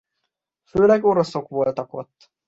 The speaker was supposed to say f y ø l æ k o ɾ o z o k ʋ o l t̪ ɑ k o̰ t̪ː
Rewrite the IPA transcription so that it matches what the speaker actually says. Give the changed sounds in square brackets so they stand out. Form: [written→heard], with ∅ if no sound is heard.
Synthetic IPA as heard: f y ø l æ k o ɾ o [z→s] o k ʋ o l t̪ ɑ k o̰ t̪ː

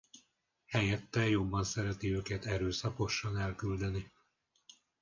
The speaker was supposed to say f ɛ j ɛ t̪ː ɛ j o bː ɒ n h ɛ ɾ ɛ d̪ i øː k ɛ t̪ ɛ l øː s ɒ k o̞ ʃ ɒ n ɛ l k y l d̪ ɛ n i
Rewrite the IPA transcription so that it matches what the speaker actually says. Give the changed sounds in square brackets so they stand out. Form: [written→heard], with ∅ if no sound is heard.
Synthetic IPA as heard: [f→h] ɛ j ɛ t̪ː ɛ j o bː ɒ n [h→s] ɛ ɾ ɛ [d̪→t̪] i øː k ɛ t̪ ɛ [l→ɾ] øː s ɒ k o̞ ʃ ɒ n ɛ l k y l d̪ ɛ n i

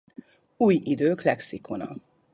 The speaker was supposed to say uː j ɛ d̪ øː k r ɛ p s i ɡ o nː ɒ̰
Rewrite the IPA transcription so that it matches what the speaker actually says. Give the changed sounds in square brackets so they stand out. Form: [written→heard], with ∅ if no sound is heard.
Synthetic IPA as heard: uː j [ɛ→i] d̪ øː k [r→l] ɛ [p→k] s i [ɡ→k] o [nː→n] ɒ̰

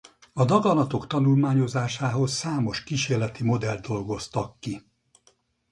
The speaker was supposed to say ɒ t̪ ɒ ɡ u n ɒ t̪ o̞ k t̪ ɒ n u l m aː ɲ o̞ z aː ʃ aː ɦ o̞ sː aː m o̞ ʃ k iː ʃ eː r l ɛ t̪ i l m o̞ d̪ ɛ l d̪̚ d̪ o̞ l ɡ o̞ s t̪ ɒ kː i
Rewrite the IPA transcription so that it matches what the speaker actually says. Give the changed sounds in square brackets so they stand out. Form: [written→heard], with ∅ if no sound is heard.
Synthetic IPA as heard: ɒ [t̪→d̪] ɒ ɡ [u→ɒ] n ɒ t̪ o̞ k t̪ ɒ n u l m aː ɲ o̞ z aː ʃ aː ɦ o̞ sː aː m o̞ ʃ k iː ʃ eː r l ɛ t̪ i [l→∅] m o̞ d̪ ɛ l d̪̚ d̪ o̞ l ɡ o̞ s t̪ ɒ kː i

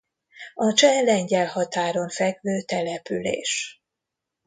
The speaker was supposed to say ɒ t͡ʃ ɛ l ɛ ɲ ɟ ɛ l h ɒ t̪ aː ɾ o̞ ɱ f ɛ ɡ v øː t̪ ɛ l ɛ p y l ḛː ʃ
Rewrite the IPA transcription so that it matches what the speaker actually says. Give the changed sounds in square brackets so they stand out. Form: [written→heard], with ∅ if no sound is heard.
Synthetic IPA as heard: ɒ t͡ʃ ɛ l ɛ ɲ ɟ ɛ l h ɒ t̪ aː ɾ o̞ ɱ f ɛ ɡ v øː t̪ ɛ l ɛ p y l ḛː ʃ

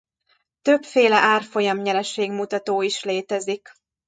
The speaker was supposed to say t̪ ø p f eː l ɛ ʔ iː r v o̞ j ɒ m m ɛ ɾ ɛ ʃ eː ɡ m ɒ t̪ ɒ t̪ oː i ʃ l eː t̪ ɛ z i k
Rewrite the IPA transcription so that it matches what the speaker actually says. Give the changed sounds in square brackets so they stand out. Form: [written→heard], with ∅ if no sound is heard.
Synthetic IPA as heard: t̪ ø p f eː l ɛ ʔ [iː→aː] r [v→f] o̞ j ɒ m [m→ɲ] ɛ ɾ ɛ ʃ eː ɡ m [ɒ→u] t̪ ɒ t̪ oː i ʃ l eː t̪ ɛ z i k

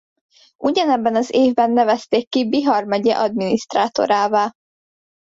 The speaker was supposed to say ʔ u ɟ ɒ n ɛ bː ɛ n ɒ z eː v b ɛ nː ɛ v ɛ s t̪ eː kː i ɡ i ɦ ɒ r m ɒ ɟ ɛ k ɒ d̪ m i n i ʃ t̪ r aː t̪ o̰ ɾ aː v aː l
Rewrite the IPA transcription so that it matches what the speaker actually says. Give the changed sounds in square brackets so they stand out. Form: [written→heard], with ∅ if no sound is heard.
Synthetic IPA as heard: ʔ u ɟ ɒ n ɛ bː ɛ n ɒ z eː v b ɛ nː ɛ v ɛ s t̪ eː kː i [ɡ→b] i ɦ ɒ r m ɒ ɟ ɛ [k→ʔ] ɒ d̪ m i n i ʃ t̪ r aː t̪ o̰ ɾ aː v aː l

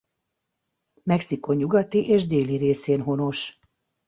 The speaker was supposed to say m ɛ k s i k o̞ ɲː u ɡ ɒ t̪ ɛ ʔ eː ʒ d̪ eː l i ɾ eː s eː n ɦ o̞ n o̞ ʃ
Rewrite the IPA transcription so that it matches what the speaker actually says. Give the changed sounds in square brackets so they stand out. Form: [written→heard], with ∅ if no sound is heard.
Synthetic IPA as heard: m ɛ k s i k o̞ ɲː u ɡ ɒ t̪ [ɛ→i] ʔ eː ʒ d̪ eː l i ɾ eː s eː n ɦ o̞ n o̞ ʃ

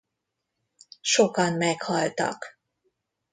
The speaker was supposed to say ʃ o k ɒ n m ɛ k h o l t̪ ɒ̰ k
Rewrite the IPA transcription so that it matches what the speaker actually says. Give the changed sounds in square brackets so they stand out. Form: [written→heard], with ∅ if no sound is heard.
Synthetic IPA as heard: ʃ o k ɒ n m ɛ k h [o→ɒ] l t̪ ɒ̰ k

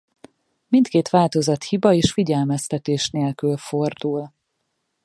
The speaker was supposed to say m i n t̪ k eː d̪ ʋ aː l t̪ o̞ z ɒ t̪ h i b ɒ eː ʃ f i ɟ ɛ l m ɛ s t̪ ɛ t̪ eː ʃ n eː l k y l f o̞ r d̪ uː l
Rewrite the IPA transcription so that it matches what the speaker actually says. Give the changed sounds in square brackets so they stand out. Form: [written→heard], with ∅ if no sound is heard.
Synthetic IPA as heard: m i n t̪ k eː [d̪→t̪] ʋ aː l t̪ o̞ z ɒ t̪ h i b ɒ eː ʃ f i ɟ ɛ l m ɛ s t̪ ɛ t̪ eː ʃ n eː l k y l f o̞ r d̪ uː l

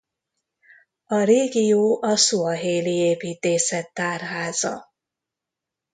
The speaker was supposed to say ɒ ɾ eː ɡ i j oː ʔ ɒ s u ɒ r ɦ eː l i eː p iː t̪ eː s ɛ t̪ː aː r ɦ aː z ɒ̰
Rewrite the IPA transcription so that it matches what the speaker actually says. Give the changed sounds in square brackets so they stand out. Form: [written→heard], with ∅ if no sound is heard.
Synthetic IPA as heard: ɒ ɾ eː ɡ i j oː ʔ ɒ s u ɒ [r→∅] ɦ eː l i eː p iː t̪ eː s ɛ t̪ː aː r ɦ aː z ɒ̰

